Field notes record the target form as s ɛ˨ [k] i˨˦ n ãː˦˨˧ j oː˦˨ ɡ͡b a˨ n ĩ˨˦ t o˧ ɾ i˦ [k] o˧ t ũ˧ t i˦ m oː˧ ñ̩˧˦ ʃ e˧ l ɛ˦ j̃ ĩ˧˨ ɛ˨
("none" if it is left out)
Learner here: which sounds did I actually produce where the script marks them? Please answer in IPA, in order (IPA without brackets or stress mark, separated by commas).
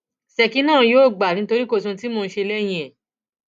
k, k